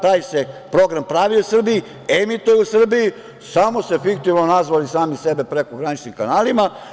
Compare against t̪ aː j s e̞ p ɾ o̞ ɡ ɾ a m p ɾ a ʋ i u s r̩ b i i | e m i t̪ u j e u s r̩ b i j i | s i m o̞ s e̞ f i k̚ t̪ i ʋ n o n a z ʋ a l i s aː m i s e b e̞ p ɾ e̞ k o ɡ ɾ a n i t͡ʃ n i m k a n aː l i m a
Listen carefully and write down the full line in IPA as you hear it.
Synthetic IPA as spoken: t̪ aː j s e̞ p ɾ o̞ ɡ ɾ a m p ɾ a ʋ i u s r̩ b i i | e m i t̪ u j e u s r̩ b i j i | s a m o̞ s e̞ f i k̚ t̪ i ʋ n o n a z ʋ a l i s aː m i s e b e̞ p ɾ e̞ k o ɡ ɾ a n i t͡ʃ n i m k a n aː l i m a